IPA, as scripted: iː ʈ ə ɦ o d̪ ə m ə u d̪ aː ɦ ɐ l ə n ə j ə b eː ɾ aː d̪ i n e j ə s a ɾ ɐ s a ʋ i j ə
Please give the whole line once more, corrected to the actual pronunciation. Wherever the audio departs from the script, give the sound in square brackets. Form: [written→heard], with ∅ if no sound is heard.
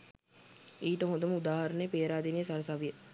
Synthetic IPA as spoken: iː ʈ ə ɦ o d̪ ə m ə u d̪ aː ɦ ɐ [l→ɾ] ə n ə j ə [b→p] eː ɾ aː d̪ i n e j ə s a ɾ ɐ s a ʋ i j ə